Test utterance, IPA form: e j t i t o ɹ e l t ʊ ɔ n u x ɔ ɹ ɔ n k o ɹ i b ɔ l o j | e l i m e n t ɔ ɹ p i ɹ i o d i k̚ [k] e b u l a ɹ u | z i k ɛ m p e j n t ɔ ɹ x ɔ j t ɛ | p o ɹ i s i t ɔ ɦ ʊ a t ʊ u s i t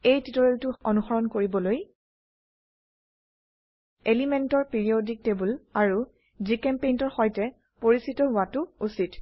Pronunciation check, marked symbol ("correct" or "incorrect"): incorrect